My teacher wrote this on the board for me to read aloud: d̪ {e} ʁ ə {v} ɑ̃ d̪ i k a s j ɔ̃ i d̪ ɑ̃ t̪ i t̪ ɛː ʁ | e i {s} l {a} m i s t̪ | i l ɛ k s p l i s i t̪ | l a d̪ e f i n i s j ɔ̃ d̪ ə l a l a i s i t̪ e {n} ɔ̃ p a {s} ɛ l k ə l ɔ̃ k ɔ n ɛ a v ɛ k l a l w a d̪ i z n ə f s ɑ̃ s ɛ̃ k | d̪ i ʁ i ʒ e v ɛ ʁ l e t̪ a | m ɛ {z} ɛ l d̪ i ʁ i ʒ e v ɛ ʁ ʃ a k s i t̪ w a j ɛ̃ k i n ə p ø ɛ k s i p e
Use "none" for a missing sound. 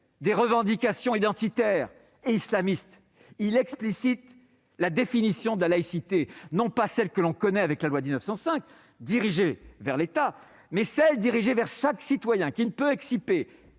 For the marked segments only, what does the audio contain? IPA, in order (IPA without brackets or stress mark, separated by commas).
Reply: e, v, s, a, n, s, s